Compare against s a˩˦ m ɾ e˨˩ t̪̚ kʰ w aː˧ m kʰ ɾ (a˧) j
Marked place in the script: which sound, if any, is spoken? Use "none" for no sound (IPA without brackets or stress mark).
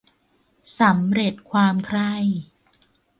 a˥˩